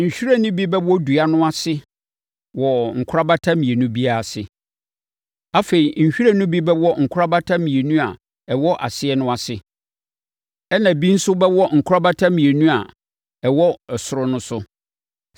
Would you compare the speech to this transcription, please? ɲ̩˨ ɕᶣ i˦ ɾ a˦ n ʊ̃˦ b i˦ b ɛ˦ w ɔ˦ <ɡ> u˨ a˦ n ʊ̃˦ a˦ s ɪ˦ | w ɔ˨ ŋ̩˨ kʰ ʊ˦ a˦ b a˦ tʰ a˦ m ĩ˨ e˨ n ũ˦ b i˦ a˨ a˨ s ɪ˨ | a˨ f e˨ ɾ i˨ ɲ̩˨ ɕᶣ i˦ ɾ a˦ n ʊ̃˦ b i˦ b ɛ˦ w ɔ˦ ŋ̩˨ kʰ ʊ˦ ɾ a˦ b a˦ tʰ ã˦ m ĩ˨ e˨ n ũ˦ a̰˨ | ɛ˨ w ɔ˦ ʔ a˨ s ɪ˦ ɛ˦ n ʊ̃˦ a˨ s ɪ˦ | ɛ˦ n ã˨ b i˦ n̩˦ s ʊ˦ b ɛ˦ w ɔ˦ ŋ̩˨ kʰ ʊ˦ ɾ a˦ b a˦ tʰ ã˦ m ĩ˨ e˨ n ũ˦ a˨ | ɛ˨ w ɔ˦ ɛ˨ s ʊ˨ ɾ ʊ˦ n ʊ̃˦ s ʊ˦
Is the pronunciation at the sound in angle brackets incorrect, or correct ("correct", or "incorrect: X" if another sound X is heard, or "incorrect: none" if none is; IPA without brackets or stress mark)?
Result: incorrect: d